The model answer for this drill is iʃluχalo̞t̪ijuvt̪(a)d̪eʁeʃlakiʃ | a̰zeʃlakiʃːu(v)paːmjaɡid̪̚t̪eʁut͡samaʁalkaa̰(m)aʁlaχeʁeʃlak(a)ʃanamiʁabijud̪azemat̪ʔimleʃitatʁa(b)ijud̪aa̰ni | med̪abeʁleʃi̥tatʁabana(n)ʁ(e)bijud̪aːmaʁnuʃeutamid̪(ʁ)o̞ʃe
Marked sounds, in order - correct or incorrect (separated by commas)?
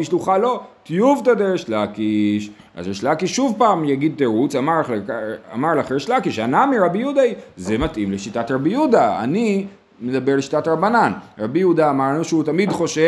correct, correct, correct, incorrect, correct, correct, incorrect, incorrect